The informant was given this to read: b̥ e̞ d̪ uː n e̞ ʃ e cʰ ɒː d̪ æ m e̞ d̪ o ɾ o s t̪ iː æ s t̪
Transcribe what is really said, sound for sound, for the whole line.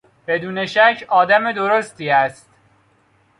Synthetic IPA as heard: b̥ e̞ d̪ uː n e̞ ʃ æ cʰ ɒː d̪ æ m e̞ d̪ o ɾ o s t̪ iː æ s t̪